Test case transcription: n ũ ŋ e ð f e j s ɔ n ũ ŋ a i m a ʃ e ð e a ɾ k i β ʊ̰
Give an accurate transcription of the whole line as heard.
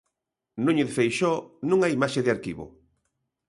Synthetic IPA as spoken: n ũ ɲ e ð f e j ʃ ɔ n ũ ŋ a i m a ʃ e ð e a ɾ k i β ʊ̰